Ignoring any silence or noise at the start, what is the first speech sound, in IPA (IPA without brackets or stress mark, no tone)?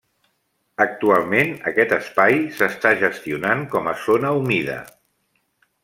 ə